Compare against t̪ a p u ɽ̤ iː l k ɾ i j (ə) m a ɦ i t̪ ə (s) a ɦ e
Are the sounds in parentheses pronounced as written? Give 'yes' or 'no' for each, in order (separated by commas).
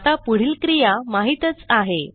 no, no